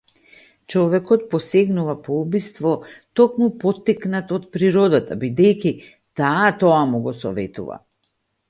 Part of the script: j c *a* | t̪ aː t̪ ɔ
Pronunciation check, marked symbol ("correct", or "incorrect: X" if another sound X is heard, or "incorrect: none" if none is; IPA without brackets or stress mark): incorrect: i